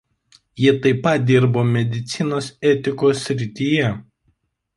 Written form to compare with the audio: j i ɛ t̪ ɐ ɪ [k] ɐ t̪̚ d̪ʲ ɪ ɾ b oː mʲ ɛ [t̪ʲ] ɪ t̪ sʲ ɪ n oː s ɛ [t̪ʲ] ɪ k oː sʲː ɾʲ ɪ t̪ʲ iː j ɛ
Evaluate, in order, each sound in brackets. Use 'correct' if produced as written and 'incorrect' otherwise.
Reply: incorrect, incorrect, correct

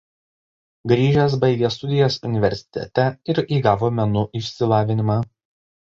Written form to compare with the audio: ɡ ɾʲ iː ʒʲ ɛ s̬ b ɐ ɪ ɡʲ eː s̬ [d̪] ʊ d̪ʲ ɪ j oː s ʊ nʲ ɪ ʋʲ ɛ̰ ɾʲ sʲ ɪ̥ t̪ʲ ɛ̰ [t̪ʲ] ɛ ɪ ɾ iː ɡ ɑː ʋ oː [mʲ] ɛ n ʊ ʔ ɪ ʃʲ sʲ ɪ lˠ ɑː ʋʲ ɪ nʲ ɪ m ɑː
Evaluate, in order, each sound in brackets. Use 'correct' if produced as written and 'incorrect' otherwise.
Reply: incorrect, correct, correct

